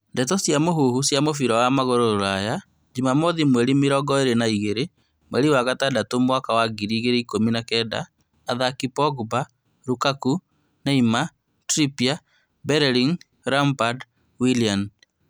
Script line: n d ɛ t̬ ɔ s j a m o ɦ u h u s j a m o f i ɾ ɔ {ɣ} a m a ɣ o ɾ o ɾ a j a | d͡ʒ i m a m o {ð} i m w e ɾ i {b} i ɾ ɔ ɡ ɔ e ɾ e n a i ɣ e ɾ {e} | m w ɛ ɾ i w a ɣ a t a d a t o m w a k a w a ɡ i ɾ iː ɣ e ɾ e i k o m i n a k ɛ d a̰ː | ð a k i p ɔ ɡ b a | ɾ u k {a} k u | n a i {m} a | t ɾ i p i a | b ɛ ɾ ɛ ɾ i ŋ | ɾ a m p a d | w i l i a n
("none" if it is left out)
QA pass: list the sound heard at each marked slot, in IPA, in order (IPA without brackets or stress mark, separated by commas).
w, ð, m, e, a, m